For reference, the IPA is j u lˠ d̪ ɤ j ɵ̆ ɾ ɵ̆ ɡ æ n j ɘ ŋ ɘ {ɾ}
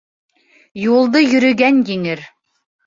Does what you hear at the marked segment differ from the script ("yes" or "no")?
no